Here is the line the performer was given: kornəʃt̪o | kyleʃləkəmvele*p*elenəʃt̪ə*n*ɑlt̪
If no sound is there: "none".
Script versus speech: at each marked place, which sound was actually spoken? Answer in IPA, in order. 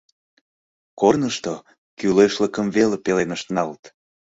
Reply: p, n

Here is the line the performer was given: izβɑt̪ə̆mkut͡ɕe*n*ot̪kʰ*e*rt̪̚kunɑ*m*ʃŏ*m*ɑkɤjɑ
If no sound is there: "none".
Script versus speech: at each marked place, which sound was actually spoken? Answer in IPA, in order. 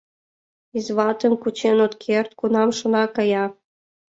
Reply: n, e, m, n

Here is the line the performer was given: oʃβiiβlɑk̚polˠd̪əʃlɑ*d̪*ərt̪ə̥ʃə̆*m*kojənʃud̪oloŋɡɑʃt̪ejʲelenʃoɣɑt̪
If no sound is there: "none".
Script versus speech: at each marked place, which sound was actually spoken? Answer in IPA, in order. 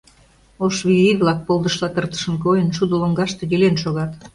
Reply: t̪, n

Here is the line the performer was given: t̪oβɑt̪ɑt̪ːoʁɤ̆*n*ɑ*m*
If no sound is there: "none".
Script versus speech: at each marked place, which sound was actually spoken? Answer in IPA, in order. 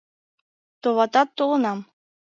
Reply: n, m

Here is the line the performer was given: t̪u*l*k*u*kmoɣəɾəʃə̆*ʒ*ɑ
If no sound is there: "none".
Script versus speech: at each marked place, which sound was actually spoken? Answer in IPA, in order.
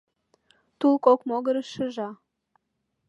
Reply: l, o, ʒ

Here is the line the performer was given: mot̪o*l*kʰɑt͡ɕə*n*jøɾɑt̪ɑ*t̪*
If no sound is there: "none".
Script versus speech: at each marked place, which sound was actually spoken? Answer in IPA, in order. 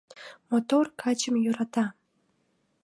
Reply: r, m, none

